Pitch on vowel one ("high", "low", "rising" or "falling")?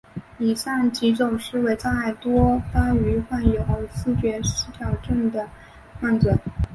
low